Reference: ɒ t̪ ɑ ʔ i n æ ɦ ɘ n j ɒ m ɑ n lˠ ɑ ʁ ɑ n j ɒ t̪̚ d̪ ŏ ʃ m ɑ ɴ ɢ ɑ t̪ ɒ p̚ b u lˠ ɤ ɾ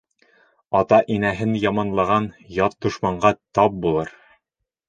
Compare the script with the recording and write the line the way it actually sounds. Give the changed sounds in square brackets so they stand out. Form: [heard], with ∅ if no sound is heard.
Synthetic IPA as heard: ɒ t̪ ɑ ʔ i n æ ɦ ɘ n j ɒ m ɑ n lˠ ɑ ʁ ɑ n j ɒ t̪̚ d̪ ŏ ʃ m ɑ ɴ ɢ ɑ t̪ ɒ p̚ b u lˠ ɤ ɾ